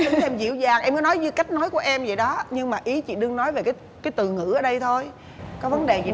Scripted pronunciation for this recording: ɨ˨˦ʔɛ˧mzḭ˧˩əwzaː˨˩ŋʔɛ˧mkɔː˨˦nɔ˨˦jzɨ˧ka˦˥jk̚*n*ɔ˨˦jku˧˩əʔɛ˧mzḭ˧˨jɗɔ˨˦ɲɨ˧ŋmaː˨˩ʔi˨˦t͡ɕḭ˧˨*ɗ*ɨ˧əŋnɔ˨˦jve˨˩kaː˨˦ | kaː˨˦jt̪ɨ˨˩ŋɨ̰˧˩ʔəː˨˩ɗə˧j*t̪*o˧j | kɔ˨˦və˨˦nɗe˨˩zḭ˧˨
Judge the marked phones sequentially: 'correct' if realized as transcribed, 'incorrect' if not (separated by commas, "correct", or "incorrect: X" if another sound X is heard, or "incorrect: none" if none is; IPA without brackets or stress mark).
correct, correct, incorrect: t̪ʰ